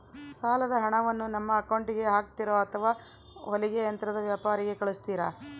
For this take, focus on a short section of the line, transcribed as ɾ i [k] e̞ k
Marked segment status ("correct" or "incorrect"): incorrect